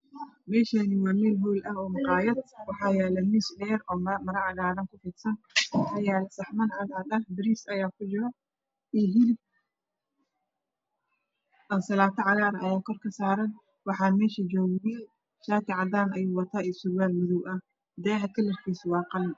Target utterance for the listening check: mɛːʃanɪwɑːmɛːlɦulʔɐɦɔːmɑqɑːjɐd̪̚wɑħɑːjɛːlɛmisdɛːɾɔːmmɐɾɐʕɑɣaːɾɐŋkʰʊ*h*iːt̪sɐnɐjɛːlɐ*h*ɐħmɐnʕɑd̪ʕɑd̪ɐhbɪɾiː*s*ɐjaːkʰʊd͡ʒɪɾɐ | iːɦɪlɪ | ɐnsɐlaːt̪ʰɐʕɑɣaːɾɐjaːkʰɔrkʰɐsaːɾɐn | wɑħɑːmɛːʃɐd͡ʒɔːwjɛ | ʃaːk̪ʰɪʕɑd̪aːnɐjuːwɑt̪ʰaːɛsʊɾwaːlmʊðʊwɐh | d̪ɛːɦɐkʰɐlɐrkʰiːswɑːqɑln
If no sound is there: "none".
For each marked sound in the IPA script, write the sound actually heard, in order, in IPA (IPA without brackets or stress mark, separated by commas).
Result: f, s, s